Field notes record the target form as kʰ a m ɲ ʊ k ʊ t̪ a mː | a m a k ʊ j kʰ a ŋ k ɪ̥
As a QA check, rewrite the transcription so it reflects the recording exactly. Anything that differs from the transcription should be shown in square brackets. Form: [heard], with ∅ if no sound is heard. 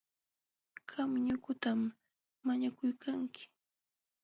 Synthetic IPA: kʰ a m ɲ ʊ k ʊ t̪ a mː | a [ɲ] a k ʊ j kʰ a ŋ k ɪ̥